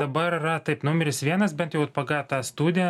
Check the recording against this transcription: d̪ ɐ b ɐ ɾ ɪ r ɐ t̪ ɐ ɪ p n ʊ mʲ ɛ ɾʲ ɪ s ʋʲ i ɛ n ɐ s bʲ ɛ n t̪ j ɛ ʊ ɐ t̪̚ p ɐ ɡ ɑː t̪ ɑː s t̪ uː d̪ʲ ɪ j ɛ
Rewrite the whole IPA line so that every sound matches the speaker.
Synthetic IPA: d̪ ɐ b ɐ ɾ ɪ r ɐ t̪ ɐ ɪ p n ʊ mʲ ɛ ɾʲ ɪ s ʋʲ i ɛ n ɐ s bʲ ɛ n t̪ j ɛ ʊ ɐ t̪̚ p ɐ ɡ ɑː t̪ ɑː s t̪ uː d̪ʲ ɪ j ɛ